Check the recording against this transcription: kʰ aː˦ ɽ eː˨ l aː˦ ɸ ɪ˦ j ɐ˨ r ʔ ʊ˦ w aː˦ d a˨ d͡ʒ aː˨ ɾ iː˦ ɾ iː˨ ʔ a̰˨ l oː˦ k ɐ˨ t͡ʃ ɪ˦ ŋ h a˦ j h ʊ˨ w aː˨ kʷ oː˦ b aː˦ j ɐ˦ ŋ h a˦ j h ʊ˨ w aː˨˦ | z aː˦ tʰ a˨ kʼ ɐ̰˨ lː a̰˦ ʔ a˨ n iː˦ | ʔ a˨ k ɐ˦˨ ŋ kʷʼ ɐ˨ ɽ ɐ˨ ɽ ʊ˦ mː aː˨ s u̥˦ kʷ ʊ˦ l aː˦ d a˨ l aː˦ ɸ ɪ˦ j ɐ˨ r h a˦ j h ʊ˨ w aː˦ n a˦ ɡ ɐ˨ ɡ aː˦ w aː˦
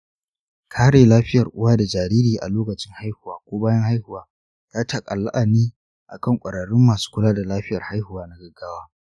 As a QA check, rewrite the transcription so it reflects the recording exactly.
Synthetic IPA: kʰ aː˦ ɽ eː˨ l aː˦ ɸ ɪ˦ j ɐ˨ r ʔ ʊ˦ w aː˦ d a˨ d͡ʒ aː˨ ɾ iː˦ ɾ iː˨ ʔ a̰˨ l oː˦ k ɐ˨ t͡ʃ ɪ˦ ŋ h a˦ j h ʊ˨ w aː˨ kʷ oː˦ b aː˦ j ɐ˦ ŋ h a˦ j h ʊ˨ w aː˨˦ | z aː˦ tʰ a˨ kʼ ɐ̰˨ lː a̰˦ ʔ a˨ n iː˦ | ʔ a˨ k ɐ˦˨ ŋ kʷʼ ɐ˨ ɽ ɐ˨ ɽ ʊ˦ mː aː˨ s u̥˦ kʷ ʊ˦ l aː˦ d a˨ l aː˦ ɸ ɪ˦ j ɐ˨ r h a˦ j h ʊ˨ w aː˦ n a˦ ɡ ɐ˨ ɡ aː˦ w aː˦